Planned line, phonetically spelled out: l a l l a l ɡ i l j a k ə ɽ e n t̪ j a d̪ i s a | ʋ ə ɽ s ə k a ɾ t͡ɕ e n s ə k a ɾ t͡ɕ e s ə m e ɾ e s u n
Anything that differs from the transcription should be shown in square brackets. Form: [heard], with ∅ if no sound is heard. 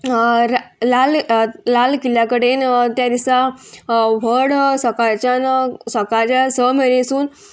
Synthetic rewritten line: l a l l a l [k] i l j a k ə ɽ e n t̪ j a d̪ i s a | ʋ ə ɽ s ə k a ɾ t͡ɕ [a] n s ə k a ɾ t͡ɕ [a] s ə m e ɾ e s [uː] n